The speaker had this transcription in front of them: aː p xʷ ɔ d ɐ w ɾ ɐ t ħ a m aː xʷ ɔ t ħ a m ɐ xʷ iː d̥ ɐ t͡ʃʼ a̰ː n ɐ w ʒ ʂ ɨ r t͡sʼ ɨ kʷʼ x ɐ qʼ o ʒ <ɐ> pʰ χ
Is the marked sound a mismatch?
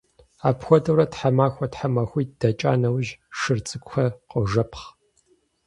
no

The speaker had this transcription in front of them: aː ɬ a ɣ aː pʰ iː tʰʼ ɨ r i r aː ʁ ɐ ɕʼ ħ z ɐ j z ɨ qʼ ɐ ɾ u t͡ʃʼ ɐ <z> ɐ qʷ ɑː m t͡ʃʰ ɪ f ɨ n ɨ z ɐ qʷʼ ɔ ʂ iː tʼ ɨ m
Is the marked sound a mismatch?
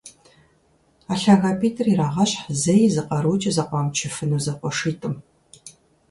no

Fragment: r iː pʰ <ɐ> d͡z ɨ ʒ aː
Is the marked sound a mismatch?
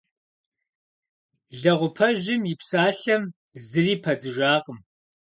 no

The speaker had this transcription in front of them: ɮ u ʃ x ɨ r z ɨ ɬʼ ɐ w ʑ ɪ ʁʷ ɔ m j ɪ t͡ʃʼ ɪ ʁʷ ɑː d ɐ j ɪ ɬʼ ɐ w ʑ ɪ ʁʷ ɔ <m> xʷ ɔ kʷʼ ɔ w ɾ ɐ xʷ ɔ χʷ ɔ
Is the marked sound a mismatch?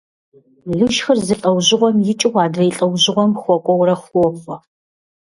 no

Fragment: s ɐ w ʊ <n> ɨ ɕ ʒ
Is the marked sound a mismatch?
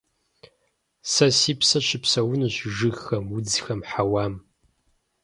no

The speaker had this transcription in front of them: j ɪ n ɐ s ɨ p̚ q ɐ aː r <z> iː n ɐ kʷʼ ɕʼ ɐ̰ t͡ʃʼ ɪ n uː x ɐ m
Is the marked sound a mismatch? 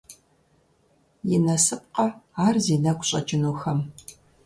no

